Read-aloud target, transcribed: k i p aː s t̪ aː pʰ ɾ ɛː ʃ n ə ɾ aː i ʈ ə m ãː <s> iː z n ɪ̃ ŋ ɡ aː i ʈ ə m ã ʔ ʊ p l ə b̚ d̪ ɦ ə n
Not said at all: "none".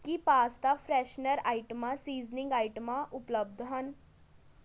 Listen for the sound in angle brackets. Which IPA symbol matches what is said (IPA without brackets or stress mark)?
s